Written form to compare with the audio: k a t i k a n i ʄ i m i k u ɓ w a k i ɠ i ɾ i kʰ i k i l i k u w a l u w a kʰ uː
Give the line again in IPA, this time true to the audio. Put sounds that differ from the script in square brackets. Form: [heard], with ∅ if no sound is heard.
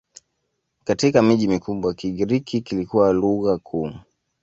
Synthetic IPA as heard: k a t i k a [m] i ʄ i m i k u ɓ w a k i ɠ i ɾ i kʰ i k i l i k u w a l u [ɣ] a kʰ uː